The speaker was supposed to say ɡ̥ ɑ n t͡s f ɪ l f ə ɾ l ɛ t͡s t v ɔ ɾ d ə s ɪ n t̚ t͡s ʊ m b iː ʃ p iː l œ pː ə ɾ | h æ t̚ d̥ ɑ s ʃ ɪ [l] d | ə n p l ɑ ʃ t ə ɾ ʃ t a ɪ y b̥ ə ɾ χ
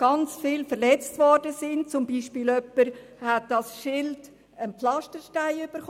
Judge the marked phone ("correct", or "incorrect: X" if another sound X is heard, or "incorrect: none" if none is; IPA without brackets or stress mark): correct